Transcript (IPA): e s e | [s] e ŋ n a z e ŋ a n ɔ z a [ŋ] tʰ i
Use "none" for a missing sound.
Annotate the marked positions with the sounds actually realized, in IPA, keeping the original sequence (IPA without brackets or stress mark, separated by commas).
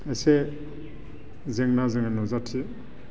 z, none